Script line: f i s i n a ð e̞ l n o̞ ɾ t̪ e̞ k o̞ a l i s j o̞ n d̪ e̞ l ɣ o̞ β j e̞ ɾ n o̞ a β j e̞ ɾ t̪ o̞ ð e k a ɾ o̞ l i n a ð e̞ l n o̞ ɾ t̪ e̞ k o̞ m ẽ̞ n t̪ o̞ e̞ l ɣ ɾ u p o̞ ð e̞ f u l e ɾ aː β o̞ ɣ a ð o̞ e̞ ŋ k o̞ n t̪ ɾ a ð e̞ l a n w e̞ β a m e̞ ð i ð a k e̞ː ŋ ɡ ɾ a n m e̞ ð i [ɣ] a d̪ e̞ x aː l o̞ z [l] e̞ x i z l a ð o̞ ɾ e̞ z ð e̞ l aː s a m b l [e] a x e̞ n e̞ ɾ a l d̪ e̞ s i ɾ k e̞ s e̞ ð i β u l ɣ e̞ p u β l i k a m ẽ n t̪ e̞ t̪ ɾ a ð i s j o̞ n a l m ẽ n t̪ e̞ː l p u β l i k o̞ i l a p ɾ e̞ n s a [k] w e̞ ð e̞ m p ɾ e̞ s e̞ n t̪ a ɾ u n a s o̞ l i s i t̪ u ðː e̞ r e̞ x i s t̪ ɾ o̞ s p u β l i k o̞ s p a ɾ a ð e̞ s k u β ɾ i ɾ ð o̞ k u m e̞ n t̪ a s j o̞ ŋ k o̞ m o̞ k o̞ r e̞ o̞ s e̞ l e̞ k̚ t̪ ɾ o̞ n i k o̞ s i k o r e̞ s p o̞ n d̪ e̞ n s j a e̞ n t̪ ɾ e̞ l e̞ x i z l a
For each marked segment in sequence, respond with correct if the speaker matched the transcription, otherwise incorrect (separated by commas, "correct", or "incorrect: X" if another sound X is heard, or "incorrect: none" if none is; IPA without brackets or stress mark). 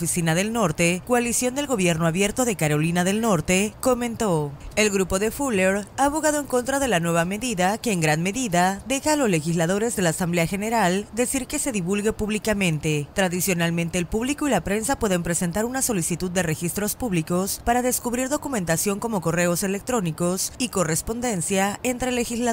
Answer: incorrect: ð, correct, correct, incorrect: p